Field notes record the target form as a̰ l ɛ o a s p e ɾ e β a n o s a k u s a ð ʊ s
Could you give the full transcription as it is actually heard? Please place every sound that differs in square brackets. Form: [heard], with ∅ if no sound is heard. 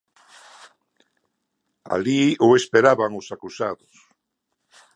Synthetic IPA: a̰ l [i] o [e] s p e ɾ [a] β a [ŋ] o s a k u s a ð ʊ s